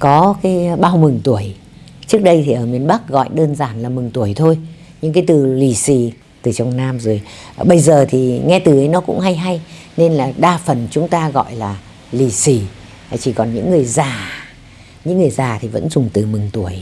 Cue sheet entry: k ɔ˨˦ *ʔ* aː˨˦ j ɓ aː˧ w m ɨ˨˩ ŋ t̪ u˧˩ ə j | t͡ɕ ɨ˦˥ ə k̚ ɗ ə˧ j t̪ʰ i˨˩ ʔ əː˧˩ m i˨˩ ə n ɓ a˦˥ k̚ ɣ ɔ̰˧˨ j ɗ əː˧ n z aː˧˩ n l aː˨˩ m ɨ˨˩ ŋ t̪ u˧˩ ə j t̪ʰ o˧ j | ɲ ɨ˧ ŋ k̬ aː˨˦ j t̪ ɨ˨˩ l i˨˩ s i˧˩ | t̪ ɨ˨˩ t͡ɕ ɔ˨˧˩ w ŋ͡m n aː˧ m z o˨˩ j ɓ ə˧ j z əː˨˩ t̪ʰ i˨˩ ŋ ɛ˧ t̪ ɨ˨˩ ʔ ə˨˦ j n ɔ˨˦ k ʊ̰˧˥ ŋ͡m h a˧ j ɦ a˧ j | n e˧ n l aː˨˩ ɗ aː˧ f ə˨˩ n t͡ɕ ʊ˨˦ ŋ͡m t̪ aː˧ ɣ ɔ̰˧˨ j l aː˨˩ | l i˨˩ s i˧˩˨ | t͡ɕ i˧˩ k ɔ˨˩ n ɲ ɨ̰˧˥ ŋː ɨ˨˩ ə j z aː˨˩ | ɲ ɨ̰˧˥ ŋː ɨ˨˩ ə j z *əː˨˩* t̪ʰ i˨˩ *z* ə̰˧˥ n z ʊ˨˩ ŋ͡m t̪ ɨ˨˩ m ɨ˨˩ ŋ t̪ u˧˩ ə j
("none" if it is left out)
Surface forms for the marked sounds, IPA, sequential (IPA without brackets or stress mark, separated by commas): k, aː˨˩, v